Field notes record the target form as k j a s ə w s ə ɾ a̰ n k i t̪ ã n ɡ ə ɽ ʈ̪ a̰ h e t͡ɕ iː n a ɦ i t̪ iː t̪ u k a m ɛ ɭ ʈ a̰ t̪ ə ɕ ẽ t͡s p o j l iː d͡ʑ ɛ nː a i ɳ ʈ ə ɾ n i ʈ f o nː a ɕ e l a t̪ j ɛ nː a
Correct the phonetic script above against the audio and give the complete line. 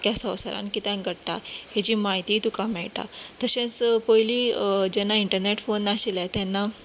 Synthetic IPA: k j a s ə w s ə ɾ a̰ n k i t̪ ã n ɡ ə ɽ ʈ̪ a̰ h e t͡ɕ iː m a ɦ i t̪ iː t̪ u k a m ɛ ɭ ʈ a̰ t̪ ə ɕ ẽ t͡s p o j l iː d͡ʑ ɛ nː a i ɳ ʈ ə ɾ n e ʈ f o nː a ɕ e l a t̪ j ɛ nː a

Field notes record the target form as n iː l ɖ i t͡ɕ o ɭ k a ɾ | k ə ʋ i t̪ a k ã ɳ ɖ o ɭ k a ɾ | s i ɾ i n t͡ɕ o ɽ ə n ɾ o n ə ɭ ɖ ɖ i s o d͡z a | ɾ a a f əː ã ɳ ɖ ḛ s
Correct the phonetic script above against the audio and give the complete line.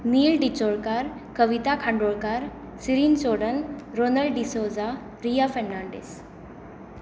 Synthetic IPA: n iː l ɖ i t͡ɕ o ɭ k a ɾ | k ə ʋ i t̪ a kʰ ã ɳ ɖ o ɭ k a ɾ | s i ɾ i n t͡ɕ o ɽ ə n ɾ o n ə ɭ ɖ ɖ i s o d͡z a | ɾ i a f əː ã ɳ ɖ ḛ s

